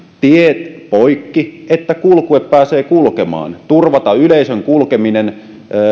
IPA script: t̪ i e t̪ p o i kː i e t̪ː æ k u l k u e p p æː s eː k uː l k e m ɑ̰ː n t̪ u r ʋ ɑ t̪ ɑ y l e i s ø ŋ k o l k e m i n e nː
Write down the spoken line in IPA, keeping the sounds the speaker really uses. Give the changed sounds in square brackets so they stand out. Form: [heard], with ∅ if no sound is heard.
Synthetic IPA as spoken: t̪ i e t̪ p o i kː i e t̪ː æ k u l k u e p p æː s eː k [u] l k e m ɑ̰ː n t̪ u r ʋ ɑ t̪ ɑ y l e i s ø ŋ k [u] l k e m i n e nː